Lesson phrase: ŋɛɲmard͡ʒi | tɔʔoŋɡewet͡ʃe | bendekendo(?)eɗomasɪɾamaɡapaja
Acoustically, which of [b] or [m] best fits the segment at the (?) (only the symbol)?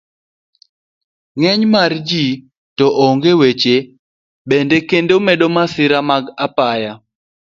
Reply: m